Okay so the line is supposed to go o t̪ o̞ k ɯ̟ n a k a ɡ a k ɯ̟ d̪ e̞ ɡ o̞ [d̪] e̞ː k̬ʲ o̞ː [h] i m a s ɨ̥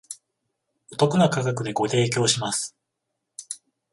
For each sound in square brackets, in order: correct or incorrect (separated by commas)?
incorrect, incorrect